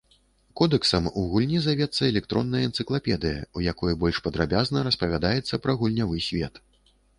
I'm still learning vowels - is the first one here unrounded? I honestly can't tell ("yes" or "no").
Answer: no